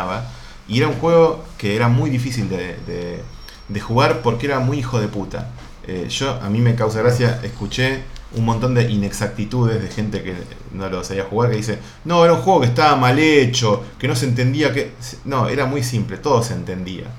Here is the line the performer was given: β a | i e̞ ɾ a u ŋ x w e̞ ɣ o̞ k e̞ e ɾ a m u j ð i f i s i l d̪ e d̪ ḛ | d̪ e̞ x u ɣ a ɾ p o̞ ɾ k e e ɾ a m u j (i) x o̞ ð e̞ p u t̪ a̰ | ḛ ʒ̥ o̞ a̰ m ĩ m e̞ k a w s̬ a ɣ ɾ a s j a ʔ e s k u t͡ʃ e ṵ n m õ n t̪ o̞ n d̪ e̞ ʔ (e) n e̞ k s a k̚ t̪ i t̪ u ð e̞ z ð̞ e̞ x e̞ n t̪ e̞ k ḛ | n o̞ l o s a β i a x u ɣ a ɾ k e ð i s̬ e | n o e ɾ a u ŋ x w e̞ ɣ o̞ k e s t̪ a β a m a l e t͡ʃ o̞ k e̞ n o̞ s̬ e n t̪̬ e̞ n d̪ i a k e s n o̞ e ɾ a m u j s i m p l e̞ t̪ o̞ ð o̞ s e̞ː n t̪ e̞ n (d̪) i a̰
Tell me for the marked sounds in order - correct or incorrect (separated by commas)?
correct, incorrect, correct